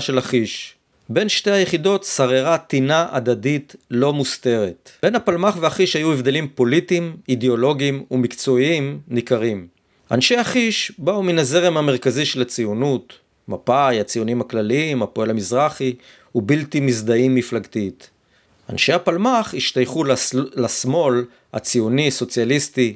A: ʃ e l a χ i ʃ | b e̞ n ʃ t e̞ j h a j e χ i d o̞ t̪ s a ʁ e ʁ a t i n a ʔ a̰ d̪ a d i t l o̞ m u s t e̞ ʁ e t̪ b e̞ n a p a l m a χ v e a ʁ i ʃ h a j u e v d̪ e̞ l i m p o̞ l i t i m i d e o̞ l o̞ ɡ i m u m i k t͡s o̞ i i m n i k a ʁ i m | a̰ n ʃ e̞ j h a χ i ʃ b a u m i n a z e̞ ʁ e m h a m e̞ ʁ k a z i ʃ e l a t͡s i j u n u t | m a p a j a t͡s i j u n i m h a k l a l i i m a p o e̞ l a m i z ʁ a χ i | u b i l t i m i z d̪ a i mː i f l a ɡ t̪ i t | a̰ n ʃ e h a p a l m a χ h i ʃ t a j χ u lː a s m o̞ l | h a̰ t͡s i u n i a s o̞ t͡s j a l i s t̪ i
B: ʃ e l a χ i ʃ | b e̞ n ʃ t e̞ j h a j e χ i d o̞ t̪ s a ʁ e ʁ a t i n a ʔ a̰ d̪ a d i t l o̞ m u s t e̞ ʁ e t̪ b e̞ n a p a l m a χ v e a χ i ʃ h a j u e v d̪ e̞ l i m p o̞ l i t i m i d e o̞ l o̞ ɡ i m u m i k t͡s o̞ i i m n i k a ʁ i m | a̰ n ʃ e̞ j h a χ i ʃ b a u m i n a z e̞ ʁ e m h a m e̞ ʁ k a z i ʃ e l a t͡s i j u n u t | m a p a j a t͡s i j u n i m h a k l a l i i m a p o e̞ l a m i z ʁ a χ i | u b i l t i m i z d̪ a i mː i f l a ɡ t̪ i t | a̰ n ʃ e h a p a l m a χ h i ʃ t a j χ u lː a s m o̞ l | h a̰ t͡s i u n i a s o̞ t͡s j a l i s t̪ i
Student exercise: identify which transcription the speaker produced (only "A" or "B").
B